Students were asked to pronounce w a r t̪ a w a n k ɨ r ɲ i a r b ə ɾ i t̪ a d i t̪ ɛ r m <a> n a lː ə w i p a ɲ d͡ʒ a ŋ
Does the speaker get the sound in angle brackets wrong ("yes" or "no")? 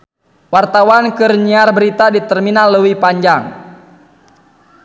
yes